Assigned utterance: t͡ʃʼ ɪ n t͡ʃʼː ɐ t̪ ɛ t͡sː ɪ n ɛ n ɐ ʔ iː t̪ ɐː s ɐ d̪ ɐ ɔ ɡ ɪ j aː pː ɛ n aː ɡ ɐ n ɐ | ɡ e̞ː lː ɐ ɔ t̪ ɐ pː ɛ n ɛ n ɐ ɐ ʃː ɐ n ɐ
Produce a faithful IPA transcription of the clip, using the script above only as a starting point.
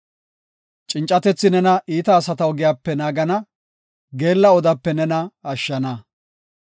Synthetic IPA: t͡ʃʼ ɪ n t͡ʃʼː ɐ t̪ ɛ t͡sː ɪ n ɛ n ɐ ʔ iː t̪ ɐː s ɐ t̪ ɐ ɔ ɡ ɪ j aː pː ɛ n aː ɡ ɐ n ɐ | ɡ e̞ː lː ɐ ɔ d̪ ɐ pː ɛ n ɛ n ɐ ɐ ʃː ɐ n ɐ